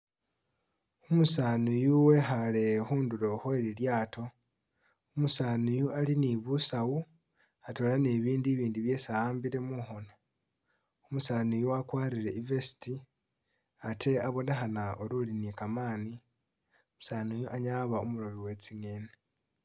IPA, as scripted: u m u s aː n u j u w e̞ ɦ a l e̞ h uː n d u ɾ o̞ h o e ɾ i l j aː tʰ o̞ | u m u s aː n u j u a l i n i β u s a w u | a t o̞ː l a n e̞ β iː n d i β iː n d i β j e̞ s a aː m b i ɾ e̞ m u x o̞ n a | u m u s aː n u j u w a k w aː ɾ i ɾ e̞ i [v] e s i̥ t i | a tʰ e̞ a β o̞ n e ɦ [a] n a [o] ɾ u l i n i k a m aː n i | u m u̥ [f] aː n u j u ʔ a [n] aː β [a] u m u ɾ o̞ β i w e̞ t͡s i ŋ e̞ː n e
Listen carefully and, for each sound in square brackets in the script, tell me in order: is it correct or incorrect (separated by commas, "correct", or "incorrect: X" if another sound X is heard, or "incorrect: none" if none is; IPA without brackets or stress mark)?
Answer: correct, correct, correct, incorrect: s, incorrect: ɲ, correct